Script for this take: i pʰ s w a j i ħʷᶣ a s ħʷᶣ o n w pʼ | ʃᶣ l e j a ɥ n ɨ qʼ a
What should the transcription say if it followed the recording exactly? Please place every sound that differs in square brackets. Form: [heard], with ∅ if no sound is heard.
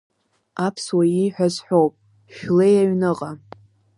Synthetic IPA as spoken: [a] pʰ s w a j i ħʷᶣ a [z] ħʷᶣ o [∅] w pʼ | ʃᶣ l e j a ɥ n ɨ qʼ a